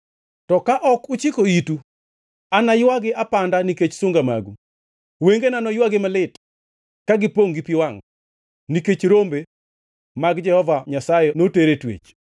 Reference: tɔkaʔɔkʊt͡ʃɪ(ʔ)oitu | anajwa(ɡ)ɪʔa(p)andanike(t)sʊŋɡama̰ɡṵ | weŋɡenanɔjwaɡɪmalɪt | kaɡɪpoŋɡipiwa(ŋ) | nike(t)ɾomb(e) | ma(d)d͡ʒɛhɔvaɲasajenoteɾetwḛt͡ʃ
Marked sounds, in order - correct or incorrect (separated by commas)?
incorrect, correct, correct, incorrect, correct, incorrect, correct, incorrect